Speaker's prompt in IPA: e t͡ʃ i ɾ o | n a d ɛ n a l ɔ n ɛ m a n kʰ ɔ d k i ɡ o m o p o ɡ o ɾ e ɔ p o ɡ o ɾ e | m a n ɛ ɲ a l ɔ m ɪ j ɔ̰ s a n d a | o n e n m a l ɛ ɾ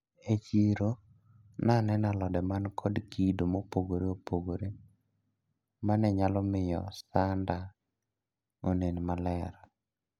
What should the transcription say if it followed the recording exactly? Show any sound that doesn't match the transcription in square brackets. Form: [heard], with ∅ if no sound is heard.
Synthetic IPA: e t͡ʃ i ɾ o | n a [n] ɛ n a l ɔ [d] ɛ m a n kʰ ɔ d k i [d] o m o p o ɡ o ɾ e [o] p o ɡ o ɾ e | m a n ɛ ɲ a l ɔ m ɪ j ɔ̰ s a n d a | o n e n m a l ɛ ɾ

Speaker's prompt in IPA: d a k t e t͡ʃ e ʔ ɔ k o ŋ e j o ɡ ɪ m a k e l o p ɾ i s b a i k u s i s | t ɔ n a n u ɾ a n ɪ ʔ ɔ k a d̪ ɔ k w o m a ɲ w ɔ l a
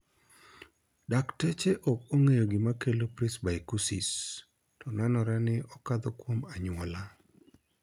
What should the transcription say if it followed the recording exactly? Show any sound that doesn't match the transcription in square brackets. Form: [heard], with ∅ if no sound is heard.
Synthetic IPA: d a k t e t͡ʃ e ʔ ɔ k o ŋ e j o ɡ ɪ m a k e l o p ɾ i s b a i k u s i s | t ɔ n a n [ɔ] ɾ a n ɪ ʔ ɔ k a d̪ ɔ k w o m a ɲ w ɔ l a

